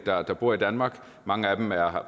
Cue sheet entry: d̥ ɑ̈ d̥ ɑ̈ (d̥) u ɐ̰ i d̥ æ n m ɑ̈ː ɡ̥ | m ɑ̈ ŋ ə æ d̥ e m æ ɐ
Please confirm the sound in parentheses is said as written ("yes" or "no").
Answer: no